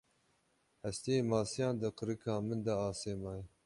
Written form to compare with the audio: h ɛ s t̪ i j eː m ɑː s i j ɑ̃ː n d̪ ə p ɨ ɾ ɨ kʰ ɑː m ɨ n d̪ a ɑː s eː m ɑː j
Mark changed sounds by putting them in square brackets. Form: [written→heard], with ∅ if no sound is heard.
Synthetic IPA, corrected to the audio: h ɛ s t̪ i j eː m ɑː s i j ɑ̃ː n d̪ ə [p→q] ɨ ɾ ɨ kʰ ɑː m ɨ n d̪ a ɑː s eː m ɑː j